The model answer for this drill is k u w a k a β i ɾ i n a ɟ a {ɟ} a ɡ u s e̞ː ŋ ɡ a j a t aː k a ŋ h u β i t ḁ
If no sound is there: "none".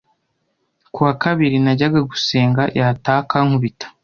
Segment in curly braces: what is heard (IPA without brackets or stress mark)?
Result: ɡ